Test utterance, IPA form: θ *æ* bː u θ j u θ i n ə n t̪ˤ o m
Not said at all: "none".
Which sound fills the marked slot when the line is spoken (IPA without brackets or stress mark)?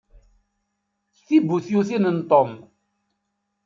i